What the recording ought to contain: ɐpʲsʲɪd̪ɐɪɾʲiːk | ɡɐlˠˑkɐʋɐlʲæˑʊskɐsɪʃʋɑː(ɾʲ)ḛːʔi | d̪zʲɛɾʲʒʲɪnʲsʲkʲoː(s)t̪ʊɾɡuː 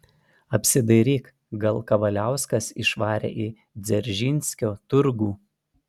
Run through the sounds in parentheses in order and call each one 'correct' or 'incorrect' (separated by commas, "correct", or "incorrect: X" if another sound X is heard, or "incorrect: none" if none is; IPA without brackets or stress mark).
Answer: correct, incorrect: none